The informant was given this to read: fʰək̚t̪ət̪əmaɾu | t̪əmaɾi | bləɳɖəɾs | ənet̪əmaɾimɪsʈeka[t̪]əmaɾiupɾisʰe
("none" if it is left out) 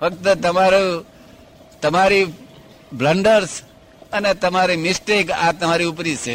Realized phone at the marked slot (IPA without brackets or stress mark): t̪